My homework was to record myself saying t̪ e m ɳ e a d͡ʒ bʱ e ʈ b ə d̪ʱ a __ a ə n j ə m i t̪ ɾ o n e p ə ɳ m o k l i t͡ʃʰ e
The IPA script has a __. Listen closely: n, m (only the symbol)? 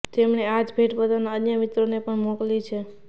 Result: n